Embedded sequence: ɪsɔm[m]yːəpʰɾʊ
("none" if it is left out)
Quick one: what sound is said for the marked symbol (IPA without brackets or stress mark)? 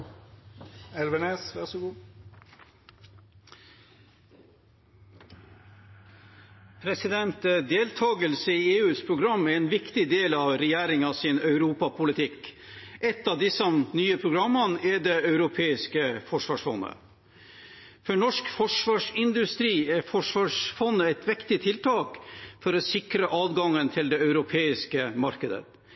n